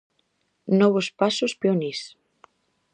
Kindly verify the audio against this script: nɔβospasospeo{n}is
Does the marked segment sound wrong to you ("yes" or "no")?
no